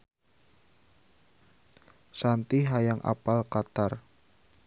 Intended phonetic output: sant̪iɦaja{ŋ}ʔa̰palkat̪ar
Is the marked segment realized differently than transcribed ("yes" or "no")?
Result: no